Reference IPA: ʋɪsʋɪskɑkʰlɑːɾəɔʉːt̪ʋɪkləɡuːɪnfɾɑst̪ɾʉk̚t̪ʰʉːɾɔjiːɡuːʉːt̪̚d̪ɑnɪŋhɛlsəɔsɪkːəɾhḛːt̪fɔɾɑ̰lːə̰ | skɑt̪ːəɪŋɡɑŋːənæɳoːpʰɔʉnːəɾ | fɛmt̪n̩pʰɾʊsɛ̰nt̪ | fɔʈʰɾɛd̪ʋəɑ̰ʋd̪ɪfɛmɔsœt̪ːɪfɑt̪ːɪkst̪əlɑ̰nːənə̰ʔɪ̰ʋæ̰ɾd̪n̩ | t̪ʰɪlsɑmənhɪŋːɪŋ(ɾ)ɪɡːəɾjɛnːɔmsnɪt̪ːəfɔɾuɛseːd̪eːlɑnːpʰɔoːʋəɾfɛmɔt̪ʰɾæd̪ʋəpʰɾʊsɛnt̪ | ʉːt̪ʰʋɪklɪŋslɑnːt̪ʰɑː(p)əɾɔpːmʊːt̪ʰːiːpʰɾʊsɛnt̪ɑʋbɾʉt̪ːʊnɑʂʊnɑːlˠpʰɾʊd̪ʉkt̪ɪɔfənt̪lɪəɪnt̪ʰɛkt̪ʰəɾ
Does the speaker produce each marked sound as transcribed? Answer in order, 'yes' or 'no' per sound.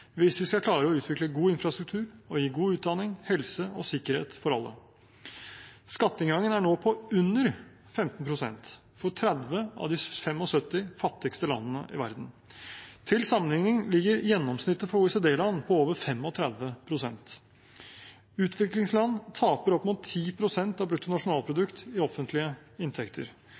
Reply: no, yes

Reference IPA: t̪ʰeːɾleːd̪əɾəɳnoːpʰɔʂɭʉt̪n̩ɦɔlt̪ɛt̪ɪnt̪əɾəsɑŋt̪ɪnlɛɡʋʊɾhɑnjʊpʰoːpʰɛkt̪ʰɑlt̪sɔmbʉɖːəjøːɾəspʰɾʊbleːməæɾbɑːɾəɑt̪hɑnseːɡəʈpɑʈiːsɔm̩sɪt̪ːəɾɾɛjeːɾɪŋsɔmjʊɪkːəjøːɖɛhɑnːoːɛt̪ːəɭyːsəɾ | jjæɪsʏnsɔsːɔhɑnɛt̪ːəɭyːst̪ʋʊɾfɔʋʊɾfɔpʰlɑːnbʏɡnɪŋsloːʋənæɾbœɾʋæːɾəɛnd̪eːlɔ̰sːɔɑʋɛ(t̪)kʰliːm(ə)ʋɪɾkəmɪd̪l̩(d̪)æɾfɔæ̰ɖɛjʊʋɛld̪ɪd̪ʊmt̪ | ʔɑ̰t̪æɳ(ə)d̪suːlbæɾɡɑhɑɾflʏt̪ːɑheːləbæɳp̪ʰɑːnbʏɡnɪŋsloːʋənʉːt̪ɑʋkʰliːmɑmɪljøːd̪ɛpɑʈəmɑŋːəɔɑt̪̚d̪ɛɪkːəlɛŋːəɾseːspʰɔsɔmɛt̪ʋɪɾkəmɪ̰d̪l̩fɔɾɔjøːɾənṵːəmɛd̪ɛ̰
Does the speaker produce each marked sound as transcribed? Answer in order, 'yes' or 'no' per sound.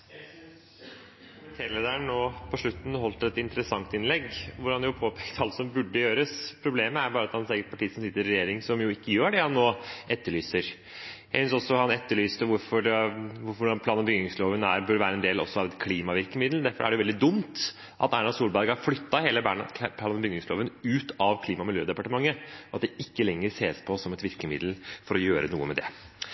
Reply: yes, no, yes, no

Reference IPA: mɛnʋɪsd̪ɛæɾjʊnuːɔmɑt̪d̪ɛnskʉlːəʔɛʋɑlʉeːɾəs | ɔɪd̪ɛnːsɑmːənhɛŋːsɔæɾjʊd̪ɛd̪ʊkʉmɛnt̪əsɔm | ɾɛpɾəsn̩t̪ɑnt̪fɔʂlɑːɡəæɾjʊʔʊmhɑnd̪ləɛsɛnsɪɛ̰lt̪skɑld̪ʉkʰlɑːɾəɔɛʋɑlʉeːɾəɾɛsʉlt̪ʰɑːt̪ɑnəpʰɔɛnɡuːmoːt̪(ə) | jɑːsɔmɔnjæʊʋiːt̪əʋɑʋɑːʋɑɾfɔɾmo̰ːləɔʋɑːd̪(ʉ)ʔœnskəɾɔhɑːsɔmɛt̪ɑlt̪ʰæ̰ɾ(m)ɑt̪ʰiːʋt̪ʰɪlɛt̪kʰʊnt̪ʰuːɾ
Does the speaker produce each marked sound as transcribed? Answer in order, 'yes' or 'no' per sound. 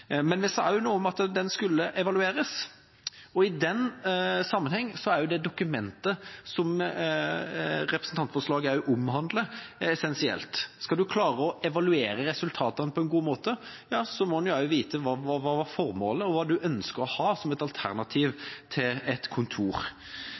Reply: yes, yes, no

